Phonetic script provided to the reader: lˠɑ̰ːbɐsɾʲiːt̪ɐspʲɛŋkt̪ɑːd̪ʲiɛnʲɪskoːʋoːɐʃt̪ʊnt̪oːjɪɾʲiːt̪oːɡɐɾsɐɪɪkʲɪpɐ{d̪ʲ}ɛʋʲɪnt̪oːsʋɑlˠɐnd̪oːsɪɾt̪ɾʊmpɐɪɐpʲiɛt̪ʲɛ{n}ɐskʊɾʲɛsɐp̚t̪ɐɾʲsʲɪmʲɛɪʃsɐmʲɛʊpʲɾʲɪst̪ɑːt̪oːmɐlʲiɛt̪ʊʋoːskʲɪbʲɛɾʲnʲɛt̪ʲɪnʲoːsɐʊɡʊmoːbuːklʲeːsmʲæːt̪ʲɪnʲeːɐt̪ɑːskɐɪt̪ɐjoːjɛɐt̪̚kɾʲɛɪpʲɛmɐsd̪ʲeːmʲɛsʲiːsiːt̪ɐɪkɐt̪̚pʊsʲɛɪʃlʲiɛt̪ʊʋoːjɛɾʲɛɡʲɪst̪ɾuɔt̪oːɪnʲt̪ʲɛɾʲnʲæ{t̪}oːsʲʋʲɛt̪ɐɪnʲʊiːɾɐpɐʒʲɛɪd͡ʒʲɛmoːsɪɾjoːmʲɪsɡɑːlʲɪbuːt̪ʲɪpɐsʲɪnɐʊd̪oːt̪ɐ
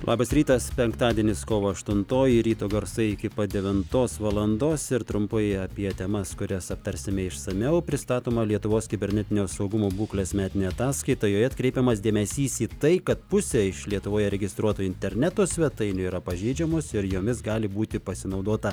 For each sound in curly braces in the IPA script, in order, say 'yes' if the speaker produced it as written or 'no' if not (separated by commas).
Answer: yes, no, yes